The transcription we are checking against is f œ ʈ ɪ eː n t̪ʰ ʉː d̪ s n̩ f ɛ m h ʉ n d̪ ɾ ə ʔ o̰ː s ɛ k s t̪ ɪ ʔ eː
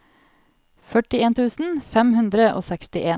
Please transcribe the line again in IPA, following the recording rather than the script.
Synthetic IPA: f œ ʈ ɪ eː n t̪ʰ ʉː s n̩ f ɛ m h ʉ n d̪ ɾ ə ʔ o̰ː s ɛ k s t̪ ɪ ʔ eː